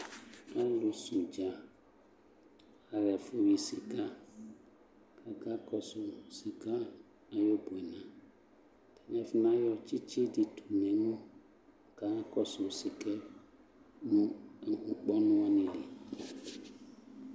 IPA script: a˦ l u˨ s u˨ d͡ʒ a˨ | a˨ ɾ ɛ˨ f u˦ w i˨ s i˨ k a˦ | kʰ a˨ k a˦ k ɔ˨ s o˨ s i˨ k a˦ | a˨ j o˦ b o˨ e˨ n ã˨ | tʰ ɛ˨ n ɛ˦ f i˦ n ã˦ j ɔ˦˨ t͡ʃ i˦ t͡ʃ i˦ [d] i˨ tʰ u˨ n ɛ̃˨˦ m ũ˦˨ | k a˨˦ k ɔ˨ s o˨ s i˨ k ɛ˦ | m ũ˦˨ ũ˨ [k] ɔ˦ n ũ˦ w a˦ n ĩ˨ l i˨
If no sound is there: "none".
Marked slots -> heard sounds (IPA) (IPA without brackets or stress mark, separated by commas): d, k͡p